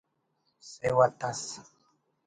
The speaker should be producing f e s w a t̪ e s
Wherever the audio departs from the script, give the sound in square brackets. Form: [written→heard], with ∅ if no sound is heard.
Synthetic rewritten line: [f→s] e [s→∅] w a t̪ [e→a] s